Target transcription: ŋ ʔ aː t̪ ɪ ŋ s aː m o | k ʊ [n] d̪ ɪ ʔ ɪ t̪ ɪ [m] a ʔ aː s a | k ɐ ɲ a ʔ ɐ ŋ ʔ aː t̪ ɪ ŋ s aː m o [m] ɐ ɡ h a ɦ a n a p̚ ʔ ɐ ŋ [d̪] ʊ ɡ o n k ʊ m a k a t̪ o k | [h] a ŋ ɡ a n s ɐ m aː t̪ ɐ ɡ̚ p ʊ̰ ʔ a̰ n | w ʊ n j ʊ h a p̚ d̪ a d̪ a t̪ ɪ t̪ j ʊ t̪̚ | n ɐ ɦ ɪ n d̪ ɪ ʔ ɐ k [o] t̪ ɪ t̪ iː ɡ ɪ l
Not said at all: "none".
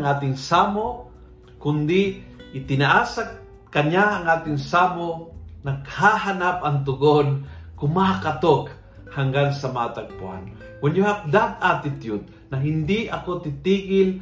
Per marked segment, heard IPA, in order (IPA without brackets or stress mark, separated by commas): n, n, n, t̪, h, o